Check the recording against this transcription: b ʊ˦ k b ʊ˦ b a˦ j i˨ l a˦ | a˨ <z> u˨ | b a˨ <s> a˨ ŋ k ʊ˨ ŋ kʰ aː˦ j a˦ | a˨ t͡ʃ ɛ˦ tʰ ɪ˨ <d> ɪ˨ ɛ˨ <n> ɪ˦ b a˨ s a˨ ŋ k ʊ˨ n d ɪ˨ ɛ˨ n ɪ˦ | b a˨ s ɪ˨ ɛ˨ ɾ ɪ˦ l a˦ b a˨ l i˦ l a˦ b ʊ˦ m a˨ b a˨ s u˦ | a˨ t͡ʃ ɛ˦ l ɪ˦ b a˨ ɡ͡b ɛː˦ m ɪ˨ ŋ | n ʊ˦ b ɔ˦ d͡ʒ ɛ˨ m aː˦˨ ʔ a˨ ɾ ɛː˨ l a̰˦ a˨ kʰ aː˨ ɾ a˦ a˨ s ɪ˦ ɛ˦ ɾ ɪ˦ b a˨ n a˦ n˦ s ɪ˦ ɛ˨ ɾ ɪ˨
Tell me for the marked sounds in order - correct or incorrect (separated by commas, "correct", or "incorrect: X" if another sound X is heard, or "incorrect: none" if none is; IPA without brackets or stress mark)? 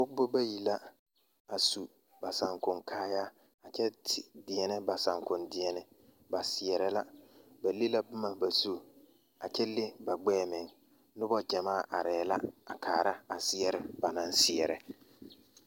incorrect: s, correct, correct, correct